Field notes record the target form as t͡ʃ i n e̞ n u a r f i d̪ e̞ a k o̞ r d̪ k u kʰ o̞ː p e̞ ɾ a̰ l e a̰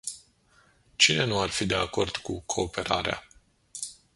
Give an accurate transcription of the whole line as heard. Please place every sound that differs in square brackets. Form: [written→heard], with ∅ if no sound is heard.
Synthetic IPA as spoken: t͡ʃ i n e̞ n u a r f i d̪ e̞ a k o̞ r d̪ k u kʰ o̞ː p e̞ ɾ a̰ [l→ɾ] e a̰